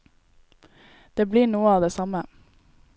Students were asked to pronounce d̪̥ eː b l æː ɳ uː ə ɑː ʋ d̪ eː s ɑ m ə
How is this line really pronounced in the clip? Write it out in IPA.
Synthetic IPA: d̪̥ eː b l iː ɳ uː ə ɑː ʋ d̪ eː s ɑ m ə